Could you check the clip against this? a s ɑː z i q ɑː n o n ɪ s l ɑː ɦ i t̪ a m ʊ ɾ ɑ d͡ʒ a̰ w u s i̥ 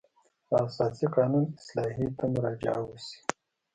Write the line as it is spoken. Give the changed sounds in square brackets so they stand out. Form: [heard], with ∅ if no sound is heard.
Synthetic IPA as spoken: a s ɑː [s] i q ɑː n [u] n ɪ s l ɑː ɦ i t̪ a m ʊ ɾ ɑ d͡ʒ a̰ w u s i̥